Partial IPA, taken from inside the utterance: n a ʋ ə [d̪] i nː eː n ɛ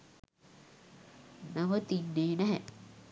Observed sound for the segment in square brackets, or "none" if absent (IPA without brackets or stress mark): t̪